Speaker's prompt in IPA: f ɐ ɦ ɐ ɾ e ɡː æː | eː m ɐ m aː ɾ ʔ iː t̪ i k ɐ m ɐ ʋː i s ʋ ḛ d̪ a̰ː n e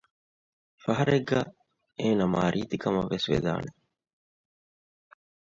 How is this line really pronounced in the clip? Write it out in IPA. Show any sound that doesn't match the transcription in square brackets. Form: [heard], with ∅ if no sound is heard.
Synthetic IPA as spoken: f ɐ ɦ ɐ ɾ e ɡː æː | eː [n] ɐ m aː ɾ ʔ iː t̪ i k ɐ m ɐ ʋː [e] s ʋ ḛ d̪ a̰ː n e